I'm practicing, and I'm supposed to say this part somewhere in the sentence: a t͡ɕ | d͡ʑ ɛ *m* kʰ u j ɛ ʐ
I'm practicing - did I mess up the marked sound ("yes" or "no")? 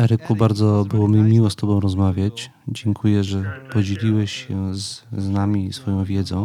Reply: yes